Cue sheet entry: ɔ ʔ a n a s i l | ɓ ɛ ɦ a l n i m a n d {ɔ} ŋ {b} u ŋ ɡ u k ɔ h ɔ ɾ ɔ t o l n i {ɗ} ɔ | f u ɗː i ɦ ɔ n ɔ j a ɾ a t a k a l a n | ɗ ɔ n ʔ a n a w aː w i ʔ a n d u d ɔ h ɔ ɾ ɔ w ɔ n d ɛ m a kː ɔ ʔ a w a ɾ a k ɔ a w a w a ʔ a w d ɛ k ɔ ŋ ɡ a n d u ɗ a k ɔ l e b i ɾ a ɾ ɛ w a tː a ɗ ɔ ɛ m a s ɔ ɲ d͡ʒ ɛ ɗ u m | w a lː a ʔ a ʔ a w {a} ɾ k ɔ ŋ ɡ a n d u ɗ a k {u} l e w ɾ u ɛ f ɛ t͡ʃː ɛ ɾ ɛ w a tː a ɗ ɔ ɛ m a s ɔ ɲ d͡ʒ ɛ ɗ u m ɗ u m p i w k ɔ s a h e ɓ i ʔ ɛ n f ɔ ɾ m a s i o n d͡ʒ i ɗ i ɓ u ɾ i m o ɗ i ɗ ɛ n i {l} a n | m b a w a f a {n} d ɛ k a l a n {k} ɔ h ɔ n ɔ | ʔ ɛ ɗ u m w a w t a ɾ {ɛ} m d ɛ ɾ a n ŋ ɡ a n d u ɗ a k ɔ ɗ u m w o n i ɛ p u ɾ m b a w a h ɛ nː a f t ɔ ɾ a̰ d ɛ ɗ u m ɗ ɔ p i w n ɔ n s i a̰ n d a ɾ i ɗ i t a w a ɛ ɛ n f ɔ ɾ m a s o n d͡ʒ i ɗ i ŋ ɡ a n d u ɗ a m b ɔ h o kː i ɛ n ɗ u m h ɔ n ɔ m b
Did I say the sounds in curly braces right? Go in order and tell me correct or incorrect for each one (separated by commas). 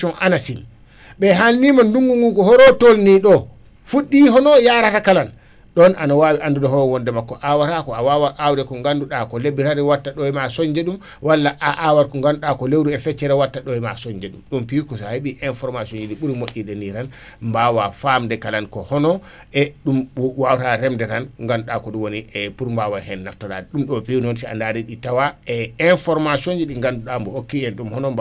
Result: incorrect, incorrect, correct, correct, incorrect, incorrect, incorrect, correct, correct